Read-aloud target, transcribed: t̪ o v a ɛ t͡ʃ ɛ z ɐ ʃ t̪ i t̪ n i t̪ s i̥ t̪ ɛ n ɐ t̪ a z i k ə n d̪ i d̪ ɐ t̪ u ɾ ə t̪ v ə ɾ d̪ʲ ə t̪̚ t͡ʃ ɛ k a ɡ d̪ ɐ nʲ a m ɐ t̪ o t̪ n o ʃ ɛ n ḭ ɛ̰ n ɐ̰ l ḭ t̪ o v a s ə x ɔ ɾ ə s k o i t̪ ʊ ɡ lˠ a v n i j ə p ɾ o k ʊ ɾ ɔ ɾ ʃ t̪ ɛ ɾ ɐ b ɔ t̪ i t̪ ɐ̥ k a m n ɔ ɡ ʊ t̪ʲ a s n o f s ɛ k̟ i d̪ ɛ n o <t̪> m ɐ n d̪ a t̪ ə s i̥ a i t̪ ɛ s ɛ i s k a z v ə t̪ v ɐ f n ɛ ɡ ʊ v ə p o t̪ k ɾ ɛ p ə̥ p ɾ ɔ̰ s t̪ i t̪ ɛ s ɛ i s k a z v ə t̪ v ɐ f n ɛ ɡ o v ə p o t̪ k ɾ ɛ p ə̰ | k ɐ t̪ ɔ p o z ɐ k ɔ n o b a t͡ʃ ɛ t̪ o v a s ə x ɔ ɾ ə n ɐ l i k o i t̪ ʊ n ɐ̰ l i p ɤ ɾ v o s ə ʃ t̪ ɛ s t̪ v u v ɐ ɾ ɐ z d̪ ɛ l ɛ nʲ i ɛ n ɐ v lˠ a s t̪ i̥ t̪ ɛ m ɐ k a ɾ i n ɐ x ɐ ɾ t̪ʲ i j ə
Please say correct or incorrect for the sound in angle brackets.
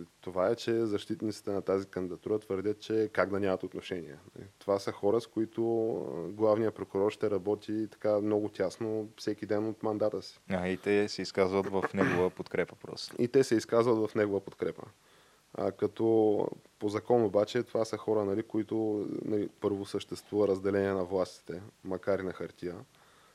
correct